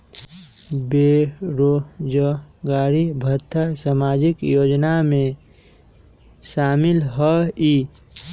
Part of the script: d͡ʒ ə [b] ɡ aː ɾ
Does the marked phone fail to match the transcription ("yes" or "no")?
yes